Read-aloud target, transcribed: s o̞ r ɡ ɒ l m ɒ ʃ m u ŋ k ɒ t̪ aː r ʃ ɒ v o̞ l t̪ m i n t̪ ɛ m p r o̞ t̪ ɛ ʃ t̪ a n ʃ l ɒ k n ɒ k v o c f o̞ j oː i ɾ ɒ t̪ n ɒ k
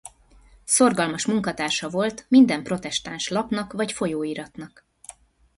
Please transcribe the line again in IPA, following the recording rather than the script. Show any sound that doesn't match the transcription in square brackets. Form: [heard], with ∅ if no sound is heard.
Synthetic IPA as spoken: s o̞ r ɡ ɒ l m ɒ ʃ m u ŋ k ɒ t̪ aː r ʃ ɒ v o̞ l t̪ m i n [d̪] ɛ m p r o̞ t̪ ɛ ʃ t̪ a n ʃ l ɒ [p] n ɒ k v [ɒ] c f o̞ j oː i ɾ ɒ t̪ n ɒ k